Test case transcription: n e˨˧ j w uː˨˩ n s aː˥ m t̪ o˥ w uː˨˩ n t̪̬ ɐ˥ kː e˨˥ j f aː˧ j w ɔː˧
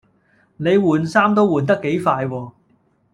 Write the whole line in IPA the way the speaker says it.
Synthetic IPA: n e˨˧ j w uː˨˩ n s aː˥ m t̪ o˥ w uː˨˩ n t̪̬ ɐ˥ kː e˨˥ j f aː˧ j w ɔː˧